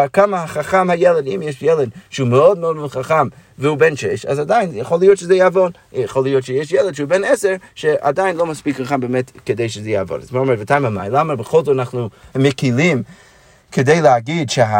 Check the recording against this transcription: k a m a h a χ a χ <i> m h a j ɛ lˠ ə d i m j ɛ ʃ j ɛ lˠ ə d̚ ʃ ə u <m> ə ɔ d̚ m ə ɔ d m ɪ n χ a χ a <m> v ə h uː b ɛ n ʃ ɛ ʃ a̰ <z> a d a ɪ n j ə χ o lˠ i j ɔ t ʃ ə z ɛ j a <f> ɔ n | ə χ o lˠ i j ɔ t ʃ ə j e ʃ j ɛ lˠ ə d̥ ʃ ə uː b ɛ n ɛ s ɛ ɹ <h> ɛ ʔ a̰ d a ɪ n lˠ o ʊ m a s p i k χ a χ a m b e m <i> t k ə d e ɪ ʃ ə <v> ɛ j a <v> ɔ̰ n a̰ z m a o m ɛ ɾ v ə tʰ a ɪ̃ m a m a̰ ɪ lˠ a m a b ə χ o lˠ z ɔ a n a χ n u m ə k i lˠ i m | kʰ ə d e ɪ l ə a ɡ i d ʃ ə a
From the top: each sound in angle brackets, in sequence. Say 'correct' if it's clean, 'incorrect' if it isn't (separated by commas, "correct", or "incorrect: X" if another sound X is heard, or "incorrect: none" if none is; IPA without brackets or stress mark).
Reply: incorrect: a, correct, correct, correct, incorrect: v, incorrect: ʃ, incorrect: ɛ, incorrect: z, correct